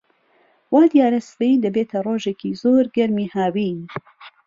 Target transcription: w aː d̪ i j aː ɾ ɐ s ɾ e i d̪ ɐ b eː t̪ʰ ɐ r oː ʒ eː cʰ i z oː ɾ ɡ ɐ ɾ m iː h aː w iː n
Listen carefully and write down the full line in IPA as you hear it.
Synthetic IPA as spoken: w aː d̪ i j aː ɾ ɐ s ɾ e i d̪ ɐ b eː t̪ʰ ɐ r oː ʒ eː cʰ i z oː ɾ ɡ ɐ ɾ m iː h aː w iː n